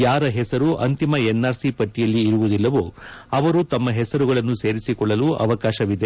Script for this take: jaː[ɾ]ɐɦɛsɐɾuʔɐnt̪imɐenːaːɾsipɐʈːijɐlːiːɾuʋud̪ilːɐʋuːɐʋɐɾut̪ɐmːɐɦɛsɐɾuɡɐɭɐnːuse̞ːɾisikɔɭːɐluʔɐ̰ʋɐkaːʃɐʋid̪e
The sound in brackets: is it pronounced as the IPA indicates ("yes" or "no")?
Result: yes